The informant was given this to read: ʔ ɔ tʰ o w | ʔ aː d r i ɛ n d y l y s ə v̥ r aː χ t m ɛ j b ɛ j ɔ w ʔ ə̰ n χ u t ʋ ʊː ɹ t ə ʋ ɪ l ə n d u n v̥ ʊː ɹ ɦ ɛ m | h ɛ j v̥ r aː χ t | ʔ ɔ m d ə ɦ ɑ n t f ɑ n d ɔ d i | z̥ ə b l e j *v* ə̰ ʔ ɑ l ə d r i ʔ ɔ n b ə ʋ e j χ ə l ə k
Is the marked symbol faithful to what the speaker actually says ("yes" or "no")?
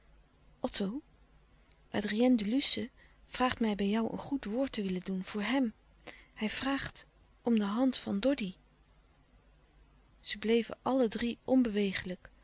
yes